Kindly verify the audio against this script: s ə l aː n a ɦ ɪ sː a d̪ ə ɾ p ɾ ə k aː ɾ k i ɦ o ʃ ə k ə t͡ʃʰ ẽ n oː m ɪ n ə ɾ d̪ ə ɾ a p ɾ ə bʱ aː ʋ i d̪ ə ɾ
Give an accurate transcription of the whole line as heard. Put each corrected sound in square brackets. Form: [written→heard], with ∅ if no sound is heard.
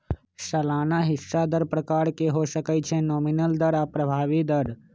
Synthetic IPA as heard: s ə l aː n a ɦ ɪ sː a d̪ ə ɾ p ɾ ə k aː ɾ k [i→e] ɦ o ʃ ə k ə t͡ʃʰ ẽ n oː m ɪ n ə [ɾ→l] d̪ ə ɾ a p ɾ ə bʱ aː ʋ i d̪ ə ɾ